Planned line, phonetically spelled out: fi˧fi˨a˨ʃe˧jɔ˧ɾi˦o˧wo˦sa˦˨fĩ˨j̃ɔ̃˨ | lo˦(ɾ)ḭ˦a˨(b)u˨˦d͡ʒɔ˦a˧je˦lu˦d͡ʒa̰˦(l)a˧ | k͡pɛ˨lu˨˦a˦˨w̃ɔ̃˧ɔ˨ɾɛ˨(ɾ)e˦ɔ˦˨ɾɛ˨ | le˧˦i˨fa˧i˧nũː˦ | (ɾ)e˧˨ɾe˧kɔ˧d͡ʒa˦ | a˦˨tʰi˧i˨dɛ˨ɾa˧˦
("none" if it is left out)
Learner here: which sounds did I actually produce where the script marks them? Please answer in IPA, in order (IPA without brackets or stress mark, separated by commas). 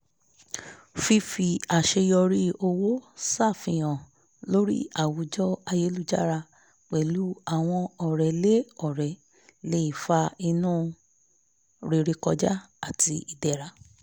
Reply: ɾ, w, ɾ, l, ɾ